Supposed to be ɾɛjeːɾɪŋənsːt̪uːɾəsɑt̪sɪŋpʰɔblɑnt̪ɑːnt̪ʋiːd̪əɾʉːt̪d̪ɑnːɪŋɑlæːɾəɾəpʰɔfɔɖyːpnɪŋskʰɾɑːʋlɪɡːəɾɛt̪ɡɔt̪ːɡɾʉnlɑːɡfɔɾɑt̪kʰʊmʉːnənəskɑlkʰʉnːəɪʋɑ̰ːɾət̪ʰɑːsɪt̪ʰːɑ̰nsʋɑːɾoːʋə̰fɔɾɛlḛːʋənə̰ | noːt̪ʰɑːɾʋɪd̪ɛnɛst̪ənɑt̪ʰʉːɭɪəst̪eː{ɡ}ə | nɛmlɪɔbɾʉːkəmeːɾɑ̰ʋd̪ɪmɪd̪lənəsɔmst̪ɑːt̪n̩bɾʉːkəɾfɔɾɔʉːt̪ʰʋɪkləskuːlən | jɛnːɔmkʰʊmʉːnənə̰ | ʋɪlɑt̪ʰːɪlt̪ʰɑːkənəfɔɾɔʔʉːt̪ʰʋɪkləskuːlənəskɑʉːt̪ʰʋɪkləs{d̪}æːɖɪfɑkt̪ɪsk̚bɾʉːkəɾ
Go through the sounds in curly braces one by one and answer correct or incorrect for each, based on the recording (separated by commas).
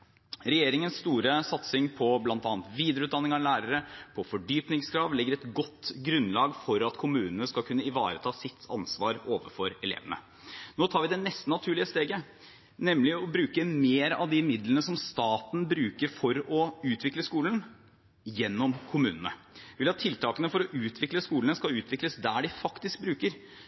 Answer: correct, correct